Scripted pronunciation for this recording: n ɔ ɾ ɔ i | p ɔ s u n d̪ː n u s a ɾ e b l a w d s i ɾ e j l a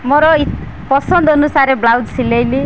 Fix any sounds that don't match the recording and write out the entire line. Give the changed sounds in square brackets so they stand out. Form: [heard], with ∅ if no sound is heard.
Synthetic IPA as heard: [m] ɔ ɾ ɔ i | p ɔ s [ɔ] n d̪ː n u s a ɾ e b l a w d s i [l] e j l [i]